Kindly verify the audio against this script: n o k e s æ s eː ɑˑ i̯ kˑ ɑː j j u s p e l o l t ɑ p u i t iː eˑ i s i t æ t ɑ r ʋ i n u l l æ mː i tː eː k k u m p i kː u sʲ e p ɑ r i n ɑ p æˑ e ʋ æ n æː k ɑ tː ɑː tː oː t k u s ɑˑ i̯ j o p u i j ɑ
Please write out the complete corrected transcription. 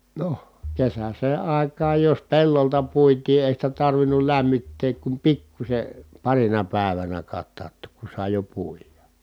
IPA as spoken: n o k e s æ s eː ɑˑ i̯ kˑ ɑː j j o s p e lː o l t ɑ p u i t iː eˑ i s i t æ t ɑ r ʋ i n u l l æ mː i tː eː k k u m p i kː u sʲ e p ɑ r i n ɑ p æˑ e ʋ æ n æ k ɑ tː ɑː tː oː k k u s ɑˑ i̯ j o p u i j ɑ